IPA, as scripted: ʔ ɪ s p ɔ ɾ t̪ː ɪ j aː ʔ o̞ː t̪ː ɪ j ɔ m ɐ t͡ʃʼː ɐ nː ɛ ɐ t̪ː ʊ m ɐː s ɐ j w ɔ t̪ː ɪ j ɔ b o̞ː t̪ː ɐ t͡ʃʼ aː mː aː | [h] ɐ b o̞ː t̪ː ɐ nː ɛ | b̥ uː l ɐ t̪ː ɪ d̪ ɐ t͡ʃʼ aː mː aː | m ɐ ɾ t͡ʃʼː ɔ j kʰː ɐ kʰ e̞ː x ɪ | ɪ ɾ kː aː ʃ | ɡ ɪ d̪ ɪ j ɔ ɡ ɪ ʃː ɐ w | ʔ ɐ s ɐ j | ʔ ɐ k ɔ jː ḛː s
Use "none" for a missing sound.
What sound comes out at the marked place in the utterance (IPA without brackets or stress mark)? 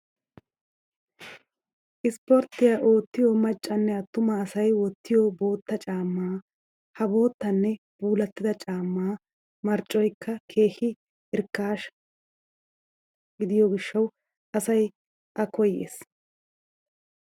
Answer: h